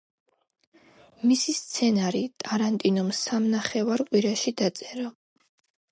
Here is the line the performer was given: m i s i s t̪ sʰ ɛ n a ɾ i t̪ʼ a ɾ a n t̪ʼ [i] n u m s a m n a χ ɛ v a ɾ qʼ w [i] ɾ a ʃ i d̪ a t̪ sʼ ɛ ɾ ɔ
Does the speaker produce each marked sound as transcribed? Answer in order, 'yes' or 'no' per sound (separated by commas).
yes, yes